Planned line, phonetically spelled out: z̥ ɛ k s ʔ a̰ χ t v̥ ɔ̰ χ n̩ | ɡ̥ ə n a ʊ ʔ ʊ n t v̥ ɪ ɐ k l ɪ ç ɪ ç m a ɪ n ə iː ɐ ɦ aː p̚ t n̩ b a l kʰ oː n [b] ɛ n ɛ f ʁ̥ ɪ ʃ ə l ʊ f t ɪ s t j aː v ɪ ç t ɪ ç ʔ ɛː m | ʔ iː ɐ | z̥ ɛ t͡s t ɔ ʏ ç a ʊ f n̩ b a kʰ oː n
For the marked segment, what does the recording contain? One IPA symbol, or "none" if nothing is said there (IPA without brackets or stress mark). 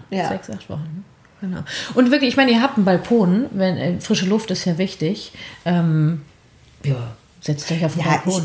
v